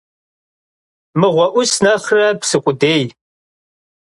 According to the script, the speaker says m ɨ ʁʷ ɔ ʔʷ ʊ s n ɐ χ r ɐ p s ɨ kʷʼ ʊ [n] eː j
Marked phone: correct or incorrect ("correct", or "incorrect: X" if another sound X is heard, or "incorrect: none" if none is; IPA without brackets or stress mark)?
incorrect: d